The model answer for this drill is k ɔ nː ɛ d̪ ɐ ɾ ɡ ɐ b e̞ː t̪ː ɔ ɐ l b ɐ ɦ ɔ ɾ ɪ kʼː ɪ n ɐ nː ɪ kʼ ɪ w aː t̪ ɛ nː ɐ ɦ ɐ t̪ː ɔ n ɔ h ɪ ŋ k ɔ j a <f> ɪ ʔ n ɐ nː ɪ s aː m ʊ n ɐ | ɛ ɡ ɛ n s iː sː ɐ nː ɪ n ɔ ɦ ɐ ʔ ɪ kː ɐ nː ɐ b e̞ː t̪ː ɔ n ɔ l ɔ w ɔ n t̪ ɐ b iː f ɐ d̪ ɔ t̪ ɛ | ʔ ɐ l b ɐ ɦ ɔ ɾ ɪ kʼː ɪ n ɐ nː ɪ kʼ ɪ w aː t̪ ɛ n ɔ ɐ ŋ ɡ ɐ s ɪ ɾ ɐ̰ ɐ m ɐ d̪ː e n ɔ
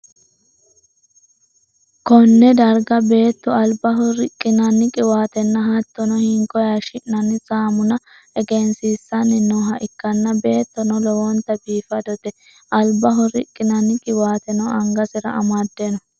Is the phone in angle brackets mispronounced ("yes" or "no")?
yes